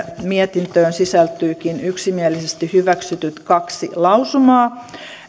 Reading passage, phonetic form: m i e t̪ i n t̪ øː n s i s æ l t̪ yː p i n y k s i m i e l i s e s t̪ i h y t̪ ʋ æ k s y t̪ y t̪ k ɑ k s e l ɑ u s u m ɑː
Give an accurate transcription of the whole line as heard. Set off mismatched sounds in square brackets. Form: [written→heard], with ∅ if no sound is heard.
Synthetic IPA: m i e t̪ i n t̪ øː n s i s æ l t̪ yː [p→k] i n y k s i m i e l i s e s t̪ i h y [t̪→∅] ʋ æ k s y t̪ y t̪ k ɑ k s [e→i] l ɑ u s u m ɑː